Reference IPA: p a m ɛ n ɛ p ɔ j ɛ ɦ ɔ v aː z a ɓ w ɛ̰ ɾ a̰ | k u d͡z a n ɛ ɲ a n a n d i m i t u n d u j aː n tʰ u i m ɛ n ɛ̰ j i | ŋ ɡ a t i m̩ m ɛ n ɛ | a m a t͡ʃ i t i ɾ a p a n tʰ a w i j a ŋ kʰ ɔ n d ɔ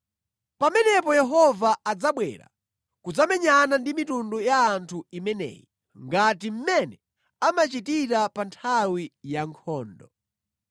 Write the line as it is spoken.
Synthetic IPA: p a m ɛ n ɛ p ɔ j ɛ ɦ ɔ v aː d͡z a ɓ w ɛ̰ ɾ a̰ | k u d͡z a m ɛ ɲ a n a n d i m i t u n d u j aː n tʰ u i m ɛ n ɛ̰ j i | ŋ ɡ a t i m̩ m ɛ n ɛ | a m a t͡ʃ i t i ɾ a p a n tʰ a w i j a ŋ kʰ ɔː n d ɔ